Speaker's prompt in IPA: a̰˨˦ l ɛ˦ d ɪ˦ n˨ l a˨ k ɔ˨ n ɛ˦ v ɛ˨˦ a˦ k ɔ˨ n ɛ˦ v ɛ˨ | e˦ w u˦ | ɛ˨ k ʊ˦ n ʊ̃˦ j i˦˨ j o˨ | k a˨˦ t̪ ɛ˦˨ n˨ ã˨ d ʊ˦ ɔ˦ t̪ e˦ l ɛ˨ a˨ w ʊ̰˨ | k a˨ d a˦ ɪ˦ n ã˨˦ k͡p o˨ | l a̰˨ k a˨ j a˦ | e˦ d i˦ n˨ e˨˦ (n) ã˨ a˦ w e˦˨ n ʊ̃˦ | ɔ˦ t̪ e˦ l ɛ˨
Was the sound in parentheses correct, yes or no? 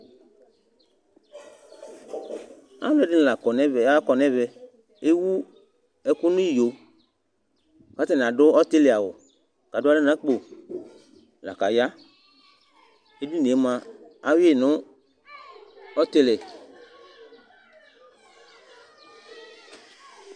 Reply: no